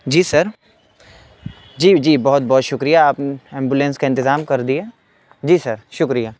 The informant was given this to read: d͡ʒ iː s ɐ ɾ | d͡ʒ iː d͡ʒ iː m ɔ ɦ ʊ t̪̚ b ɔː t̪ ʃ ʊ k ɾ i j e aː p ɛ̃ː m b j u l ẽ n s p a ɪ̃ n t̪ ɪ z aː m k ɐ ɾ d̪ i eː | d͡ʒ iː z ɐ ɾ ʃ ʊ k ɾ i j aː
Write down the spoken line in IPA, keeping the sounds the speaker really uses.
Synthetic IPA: d͡ʒ iː s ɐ ɾ | d͡ʒ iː d͡ʒ iː b ɔ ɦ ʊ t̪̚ b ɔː t̪ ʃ ʊ k ɾ i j a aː p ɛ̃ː m b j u l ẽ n s k a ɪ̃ n t̪ ɪ z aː m k ɐ ɾ d̪ i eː | d͡ʒ iː s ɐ ɾ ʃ ʊ k ɾ i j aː